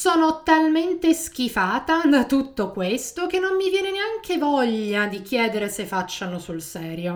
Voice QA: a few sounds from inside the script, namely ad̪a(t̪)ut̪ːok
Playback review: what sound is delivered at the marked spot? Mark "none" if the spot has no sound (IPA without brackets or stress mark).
t̪